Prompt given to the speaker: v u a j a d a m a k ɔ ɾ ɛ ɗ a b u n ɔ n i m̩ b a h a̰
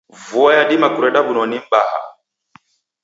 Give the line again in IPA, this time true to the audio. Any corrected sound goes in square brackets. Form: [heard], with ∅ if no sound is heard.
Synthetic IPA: v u a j a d [i] m a k [u] ɾ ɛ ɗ a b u n ɔ n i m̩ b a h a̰